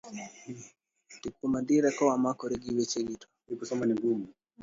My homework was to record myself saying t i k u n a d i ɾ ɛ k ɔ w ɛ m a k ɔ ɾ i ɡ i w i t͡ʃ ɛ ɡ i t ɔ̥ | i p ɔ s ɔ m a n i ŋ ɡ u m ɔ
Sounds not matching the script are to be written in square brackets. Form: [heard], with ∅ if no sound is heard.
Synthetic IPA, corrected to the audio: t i k u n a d i ɾ ɛ k ɔ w [a] m a k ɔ ɾ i ɡ i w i t͡ʃ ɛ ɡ i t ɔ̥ | i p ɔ s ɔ m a n i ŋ ɡ u m [u]